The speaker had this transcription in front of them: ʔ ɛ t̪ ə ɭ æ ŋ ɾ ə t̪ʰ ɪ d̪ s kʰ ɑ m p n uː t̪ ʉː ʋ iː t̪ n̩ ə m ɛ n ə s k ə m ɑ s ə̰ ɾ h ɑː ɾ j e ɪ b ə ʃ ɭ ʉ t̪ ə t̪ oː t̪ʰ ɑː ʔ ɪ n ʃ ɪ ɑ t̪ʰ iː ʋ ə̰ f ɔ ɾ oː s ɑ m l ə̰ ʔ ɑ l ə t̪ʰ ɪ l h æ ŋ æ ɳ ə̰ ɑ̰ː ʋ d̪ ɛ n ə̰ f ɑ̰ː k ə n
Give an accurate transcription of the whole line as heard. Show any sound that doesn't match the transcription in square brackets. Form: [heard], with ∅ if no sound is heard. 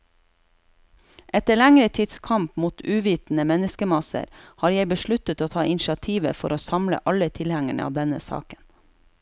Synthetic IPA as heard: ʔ ɛ t̪ ə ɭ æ ŋ ɾ ə t̪ʰ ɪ d̪ s kʰ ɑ m p [m] uː t̪ ʉː ʋ iː t̪ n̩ ə m ɛ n ə s k ə m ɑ s ə̰ ɾ h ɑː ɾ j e ɪ b ə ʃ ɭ ʉ t̪ ə t̪ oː t̪ʰ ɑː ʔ ɪ n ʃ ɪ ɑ t̪ʰ iː ʋ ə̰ f ɔ ɾ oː s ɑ m l ə̰ ʔ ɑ l ə t̪ʰ ɪ l h æ ŋ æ ɳ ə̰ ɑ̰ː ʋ d̪ ɛ n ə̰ [s] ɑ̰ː k ə n